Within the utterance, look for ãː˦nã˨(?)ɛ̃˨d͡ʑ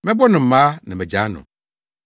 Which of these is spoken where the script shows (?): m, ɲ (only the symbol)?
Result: m